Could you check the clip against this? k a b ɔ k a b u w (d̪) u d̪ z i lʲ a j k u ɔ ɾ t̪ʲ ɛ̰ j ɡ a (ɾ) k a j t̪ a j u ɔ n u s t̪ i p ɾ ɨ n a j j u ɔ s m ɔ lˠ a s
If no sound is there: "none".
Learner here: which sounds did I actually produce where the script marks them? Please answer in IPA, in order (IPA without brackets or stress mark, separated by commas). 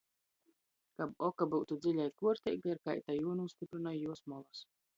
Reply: t̪, ɾ